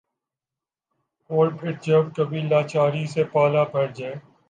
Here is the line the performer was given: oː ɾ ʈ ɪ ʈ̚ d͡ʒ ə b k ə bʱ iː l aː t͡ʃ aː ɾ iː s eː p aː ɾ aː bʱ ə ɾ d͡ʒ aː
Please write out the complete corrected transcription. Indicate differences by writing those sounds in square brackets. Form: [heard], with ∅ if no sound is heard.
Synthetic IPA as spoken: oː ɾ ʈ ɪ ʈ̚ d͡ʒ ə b k ə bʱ iː l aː t͡ʃ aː ɾ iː s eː p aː [l] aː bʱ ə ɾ d͡ʒ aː

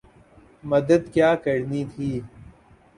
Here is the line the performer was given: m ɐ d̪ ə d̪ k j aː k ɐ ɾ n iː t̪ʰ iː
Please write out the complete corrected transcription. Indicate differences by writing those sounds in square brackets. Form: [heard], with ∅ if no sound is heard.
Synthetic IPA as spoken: m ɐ d̪ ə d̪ k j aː k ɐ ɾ n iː t̪ʰ iː

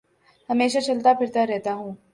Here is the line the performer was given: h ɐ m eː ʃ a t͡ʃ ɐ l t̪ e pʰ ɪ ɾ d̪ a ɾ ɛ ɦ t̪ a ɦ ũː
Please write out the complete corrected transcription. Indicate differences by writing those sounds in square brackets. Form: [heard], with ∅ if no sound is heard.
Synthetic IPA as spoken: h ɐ m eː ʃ a t͡ʃ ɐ l t̪ [a] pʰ ɪ ɾ [t̪] a ɾ ɛ ɦ t̪ a ɦ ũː

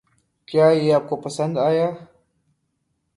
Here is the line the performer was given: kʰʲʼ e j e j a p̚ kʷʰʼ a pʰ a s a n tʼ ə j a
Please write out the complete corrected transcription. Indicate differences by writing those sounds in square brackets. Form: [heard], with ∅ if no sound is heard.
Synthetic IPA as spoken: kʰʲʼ [a] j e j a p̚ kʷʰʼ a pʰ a s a n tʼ [a] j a

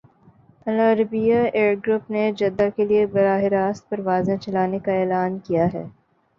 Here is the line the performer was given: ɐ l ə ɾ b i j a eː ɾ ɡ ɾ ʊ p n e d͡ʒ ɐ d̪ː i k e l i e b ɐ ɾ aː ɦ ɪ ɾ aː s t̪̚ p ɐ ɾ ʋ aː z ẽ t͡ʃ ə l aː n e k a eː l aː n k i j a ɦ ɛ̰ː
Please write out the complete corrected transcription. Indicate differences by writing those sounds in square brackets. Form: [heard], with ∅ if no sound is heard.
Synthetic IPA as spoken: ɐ l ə ɾ b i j a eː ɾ ɡ ɾ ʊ p n e d͡ʒ ɐ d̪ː [a] k e l i e b ɐ ɾ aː ɦ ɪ ɾ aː s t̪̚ p ɐ ɾ ʋ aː z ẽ t͡ʃ [ɐ] l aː n e k a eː l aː n k i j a ɦ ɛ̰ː

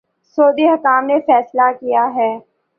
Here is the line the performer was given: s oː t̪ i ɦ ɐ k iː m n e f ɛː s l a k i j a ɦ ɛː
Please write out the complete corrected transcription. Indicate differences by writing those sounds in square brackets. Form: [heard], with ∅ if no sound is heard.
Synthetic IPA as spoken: s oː [d̪] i ɦ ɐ k [aː] m n e f ɛː s l a k i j a ɦ ɛː

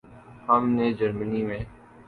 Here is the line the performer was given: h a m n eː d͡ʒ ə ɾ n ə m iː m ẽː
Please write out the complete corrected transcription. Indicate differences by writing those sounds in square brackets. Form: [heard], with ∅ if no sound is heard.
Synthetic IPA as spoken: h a m n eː d͡ʒ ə ɾ [m] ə [n] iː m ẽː

